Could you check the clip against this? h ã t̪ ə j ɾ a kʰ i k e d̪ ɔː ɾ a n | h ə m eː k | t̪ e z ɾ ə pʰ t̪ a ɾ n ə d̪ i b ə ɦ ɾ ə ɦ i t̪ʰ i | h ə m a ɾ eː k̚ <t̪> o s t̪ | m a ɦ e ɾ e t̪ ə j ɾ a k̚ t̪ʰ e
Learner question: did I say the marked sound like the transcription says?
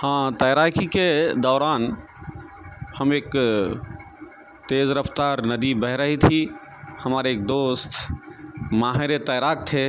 no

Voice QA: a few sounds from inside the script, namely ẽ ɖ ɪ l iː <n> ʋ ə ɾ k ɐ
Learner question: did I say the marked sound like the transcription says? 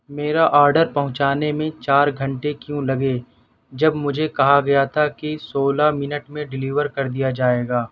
no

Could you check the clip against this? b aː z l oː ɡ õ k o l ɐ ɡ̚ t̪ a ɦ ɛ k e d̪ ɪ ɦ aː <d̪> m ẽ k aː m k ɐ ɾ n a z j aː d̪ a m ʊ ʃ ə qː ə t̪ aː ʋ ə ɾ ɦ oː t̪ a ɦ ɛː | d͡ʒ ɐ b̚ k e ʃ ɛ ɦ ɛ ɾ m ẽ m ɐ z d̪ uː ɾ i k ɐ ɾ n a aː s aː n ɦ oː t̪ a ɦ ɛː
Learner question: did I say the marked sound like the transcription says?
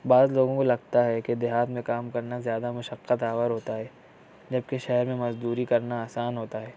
no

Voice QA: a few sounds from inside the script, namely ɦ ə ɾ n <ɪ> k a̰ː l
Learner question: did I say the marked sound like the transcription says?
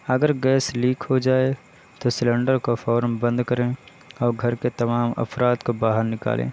yes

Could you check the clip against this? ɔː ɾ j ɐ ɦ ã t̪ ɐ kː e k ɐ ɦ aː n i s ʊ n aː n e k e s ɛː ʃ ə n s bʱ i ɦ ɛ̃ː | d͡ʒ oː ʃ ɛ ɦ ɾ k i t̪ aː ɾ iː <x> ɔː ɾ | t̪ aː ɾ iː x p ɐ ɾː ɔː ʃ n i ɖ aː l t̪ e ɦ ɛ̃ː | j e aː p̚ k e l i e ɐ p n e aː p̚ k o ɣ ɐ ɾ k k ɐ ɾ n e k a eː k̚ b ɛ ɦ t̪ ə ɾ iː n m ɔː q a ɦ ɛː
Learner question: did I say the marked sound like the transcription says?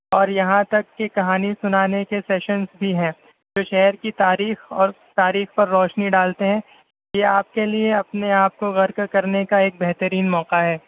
yes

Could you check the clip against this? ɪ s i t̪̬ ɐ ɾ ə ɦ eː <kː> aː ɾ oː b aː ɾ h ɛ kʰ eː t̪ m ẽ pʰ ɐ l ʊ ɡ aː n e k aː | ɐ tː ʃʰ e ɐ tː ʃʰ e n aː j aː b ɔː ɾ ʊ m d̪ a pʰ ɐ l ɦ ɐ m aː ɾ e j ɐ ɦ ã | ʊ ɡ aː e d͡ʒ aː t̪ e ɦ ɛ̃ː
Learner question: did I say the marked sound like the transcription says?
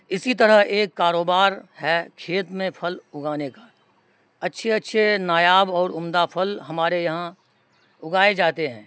yes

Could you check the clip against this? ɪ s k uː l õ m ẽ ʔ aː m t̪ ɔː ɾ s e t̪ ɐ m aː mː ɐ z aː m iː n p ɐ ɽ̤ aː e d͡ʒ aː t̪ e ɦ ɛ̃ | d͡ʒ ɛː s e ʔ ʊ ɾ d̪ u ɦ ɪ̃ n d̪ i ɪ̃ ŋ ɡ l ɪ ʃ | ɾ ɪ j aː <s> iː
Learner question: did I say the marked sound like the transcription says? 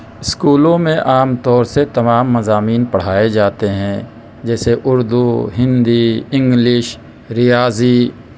no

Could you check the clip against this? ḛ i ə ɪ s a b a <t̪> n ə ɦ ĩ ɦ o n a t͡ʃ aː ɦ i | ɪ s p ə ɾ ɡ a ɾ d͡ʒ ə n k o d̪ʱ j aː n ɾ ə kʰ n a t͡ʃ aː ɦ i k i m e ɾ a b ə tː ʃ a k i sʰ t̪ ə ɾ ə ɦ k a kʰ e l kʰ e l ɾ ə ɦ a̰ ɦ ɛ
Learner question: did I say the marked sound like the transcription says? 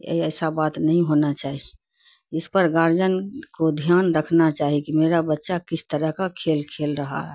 yes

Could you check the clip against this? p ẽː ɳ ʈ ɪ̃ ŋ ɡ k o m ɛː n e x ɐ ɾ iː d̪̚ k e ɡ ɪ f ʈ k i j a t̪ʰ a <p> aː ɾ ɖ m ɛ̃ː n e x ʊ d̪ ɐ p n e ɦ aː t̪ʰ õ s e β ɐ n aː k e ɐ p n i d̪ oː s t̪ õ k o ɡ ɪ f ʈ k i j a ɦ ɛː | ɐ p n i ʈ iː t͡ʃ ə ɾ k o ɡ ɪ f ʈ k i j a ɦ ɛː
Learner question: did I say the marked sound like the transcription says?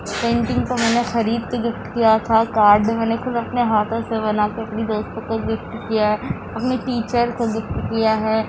no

